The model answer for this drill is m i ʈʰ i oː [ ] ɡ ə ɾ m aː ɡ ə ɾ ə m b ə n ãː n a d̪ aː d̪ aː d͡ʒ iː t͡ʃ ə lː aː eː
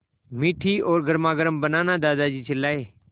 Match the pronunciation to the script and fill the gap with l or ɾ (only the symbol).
ɾ